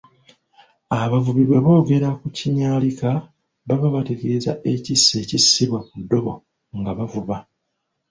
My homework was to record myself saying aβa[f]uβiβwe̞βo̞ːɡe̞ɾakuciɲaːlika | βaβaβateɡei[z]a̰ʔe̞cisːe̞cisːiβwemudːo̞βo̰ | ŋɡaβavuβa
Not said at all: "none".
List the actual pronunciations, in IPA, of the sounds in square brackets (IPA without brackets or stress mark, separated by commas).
v, z